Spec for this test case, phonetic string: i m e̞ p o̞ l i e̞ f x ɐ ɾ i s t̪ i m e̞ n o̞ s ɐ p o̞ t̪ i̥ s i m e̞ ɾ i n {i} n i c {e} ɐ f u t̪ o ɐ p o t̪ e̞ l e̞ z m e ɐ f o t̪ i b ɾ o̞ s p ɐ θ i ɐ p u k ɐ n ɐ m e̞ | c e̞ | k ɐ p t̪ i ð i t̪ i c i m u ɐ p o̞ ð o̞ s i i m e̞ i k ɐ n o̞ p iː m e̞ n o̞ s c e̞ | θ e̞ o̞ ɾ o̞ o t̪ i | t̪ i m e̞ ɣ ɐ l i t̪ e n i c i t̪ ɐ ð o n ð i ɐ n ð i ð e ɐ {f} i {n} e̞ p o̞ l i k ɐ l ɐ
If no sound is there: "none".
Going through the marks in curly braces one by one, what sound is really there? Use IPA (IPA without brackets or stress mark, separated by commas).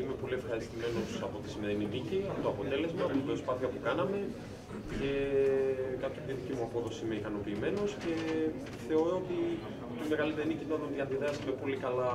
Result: i, i, s, m